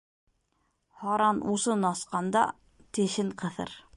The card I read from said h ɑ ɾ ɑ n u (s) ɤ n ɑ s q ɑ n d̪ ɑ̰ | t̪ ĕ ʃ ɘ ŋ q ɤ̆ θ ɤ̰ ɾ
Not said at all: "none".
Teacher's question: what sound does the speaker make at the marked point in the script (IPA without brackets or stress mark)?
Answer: s